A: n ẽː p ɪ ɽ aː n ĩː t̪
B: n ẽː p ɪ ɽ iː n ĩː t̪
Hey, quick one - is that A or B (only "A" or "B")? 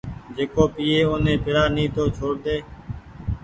A